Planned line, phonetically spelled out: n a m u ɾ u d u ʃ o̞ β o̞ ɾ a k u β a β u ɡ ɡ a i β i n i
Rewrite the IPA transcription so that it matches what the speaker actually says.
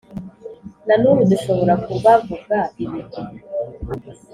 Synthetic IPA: n a n u ɾ u d u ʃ o̞ β o̞ ɾ a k u β a v u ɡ ɡ a i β i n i